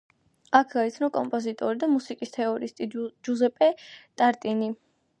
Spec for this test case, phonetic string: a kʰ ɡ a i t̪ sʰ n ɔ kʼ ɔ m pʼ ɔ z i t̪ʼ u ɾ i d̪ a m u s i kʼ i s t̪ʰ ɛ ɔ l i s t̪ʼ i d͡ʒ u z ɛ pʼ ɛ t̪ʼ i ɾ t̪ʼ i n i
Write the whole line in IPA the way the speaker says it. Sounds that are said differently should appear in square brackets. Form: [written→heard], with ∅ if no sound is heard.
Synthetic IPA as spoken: a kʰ ɡ a i t̪ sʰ n ɔ kʼ ɔ m pʼ ɔ z i t̪ʼ [u→ɔ] ɾ i d̪ a m u s i kʼ i s t̪ʰ ɛ ɔ [l→ɾ] i s t̪ʼ i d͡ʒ u z ɛ pʼ ɛ t̪ʼ [i→a] ɾ t̪ʼ i n i

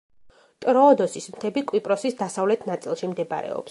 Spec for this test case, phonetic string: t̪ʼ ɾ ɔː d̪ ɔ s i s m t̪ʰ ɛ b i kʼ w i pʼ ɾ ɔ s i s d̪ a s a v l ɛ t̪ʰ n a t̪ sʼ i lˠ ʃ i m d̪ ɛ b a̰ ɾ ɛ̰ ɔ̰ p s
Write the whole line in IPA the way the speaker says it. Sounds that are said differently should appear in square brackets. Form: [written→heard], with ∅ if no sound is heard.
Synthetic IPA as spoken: t̪ʼ ɾ ɔː d̪ ɔ s i s m t̪ʰ ɛ b i kʼ w i pʼ ɾ ɔ s i s d̪ a s a v l ɛ t̪ʰ n a t̪ sʼ i lˠ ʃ i m d̪ ɛ b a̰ ɾ ɛ̰ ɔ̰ p s

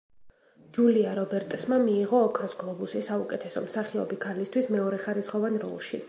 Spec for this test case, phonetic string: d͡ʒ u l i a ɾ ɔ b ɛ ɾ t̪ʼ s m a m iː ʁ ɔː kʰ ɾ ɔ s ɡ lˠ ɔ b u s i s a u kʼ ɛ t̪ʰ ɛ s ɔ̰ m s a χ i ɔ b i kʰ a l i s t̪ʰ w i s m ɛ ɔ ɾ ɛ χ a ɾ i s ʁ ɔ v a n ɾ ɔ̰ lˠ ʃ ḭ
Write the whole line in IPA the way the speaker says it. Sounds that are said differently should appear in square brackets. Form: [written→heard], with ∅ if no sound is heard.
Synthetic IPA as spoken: d͡ʒ u l i a ɾ ɔ b ɛ ɾ t̪ʼ s m a m iː ʁ ɔː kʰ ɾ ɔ s ɡ lˠ ɔ b u s i s a u kʼ ɛ t̪ʰ ɛ s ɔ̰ m s a χ i ɔ b i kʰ a l i s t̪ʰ w i s m ɛ ɔ ɾ ɛ χ a ɾ i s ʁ ɔ v a n ɾ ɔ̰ lˠ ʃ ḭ

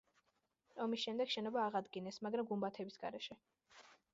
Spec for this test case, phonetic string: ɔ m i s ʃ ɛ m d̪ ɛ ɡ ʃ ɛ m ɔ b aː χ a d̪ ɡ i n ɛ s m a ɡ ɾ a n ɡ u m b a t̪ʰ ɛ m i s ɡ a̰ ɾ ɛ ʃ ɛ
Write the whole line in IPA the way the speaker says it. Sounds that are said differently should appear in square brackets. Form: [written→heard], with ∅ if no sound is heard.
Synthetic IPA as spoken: ɔ m i s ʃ ɛ m d̪ ɛ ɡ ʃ ɛ [m→n] ɔ b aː [χ→ʁ] a d̪ ɡ i n ɛ s m a ɡ ɾ a [n→m] ɡ u m b a t̪ʰ ɛ [m→b] i s ɡ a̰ ɾ ɛ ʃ ɛ

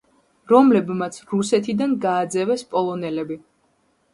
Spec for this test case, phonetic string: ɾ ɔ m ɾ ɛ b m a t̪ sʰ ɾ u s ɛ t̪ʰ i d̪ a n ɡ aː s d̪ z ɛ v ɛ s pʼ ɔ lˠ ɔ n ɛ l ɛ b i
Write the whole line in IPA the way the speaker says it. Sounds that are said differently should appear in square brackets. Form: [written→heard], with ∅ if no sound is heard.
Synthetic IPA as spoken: ɾ ɔ m [ɾ→l] ɛ b m a t̪ sʰ ɾ u s ɛ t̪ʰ i d̪ a n ɡ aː [s→∅] d̪ z ɛ v ɛ s pʼ ɔ lˠ ɔ n ɛ l ɛ b i

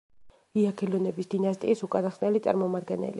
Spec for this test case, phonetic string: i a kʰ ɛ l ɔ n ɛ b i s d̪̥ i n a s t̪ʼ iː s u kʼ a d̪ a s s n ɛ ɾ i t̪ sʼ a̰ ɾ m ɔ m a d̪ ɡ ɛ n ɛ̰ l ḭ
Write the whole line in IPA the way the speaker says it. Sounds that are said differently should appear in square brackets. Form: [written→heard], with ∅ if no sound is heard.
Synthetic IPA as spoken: i a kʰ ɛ l ɔ n ɛ b i s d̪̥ i n a s t̪ʼ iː s u kʼ a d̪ a [s→χ] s n ɛ [ɾ→l] i t̪ sʼ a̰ ɾ m ɔ m a d̪ ɡ ɛ n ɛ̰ l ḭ

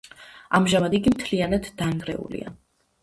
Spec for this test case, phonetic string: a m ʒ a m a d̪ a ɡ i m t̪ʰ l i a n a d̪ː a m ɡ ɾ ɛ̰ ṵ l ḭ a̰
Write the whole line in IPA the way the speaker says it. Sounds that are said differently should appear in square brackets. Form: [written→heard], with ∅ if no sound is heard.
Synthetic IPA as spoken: a m ʒ a m a d̪ [a→i] ɡ i m t̪ʰ l i a n a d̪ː a [m→ŋ] ɡ ɾ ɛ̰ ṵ l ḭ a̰

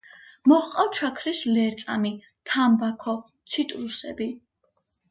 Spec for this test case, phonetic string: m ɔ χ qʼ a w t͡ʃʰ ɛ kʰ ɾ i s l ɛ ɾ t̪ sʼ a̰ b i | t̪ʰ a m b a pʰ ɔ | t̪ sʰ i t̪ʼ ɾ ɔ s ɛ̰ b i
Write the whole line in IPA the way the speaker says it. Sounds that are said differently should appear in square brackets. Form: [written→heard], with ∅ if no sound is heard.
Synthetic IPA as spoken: m ɔ χ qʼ a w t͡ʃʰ [ɛ→a] kʰ ɾ i s l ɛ ɾ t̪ sʼ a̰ [b→m] i | t̪ʰ a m b a [pʰ→kʰ] ɔ | t̪ sʰ i t̪ʼ ɾ [ɔ→u] s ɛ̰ b i

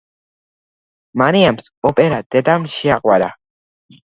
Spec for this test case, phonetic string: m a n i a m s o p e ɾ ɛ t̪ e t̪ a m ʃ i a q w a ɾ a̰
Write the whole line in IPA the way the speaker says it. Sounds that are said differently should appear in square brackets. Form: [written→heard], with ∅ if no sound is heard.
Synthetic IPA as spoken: m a n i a m s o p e ɾ [ɛ→a] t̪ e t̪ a m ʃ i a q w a ɾ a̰

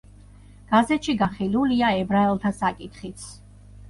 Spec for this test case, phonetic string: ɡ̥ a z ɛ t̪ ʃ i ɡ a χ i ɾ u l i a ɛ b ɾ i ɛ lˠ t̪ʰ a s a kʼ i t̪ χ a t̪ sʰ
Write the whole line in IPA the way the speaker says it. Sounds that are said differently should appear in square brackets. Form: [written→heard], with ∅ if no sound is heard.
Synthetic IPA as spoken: ɡ̥ a z ɛ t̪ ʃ i ɡ a χ i [ɾ→l] u l i a ɛ b ɾ [i→a] ɛ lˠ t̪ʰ a s a kʼ i t̪ χ [a→i] t̪ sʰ

